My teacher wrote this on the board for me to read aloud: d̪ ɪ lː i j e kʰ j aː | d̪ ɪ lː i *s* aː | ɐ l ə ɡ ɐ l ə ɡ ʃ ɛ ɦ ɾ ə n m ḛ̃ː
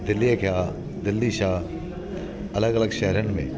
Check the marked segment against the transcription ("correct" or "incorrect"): incorrect